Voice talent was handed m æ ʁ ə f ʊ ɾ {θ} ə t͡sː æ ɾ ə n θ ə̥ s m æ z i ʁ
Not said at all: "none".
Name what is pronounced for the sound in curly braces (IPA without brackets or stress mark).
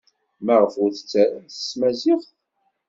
θ